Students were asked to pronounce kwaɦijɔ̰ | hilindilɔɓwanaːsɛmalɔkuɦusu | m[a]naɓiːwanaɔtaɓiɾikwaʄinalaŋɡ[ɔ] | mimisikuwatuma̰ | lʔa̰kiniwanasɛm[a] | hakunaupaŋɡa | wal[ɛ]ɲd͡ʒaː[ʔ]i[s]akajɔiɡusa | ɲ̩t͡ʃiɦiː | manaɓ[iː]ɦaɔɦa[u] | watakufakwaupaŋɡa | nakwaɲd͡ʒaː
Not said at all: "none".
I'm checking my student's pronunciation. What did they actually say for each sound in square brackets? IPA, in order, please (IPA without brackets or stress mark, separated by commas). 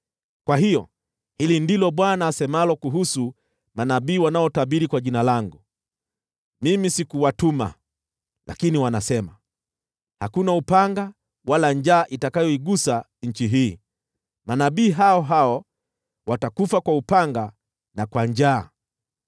a, u, a, a, ʔ, t, iː, ɔ